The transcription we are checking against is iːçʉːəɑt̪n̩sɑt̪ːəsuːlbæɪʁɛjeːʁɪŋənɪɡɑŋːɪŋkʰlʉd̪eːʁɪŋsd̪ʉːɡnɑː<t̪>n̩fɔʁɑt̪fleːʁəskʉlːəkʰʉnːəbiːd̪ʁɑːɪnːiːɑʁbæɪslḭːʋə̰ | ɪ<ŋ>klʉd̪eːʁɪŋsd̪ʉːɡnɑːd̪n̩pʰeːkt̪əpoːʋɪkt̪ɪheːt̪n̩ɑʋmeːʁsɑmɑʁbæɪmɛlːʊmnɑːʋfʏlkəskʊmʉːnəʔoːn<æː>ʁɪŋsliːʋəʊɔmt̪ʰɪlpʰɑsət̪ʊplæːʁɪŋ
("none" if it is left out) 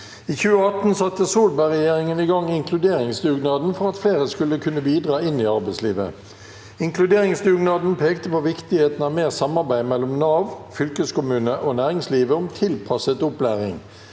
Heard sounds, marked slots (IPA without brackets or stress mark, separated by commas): d̪, ŋ, æː